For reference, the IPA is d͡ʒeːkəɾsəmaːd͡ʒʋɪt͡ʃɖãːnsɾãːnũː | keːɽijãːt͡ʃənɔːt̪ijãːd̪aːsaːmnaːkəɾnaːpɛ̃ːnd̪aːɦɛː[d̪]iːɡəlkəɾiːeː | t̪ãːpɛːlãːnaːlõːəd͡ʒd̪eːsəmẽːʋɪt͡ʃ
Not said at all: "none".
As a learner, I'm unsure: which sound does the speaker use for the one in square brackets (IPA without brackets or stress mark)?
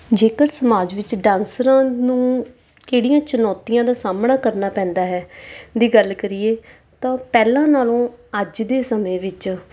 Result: d̪